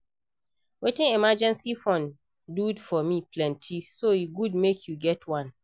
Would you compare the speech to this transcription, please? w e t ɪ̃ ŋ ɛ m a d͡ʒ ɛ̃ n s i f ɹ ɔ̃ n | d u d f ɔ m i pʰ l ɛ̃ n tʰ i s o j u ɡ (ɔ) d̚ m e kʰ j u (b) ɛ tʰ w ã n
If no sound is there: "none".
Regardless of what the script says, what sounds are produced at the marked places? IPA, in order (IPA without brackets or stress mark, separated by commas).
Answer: u, ɡ